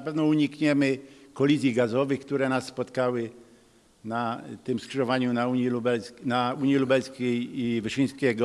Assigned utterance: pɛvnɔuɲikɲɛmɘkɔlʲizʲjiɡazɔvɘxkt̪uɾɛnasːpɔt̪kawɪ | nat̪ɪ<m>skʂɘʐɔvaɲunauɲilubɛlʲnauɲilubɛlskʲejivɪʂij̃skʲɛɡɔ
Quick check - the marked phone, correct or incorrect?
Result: correct